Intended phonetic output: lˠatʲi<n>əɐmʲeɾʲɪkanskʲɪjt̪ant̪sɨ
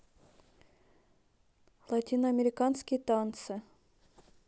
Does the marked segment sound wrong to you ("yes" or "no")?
no